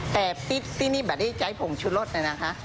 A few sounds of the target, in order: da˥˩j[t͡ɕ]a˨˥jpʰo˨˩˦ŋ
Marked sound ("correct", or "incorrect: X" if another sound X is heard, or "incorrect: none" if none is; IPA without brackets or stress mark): correct